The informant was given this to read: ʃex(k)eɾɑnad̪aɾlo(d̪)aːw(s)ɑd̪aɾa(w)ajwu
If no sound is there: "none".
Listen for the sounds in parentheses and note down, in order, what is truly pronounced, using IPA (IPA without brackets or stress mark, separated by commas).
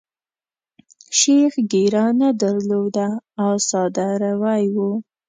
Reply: ɡ, d̪, s, w